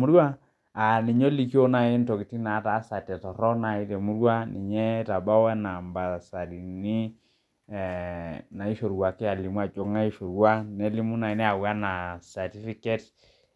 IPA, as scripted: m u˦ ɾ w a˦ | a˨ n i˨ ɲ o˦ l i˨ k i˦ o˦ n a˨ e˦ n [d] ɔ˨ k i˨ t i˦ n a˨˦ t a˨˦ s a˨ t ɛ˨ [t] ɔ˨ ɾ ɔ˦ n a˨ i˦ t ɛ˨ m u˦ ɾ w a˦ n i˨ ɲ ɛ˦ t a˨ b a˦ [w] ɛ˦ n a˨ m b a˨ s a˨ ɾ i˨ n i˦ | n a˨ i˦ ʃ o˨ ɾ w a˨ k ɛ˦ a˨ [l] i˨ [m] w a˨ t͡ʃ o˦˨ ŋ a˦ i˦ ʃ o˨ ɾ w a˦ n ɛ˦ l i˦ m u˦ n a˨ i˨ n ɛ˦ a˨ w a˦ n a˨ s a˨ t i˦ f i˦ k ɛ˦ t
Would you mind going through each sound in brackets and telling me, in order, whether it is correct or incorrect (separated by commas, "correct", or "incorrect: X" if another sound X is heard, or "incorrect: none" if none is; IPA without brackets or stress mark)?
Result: incorrect: t, correct, correct, correct, correct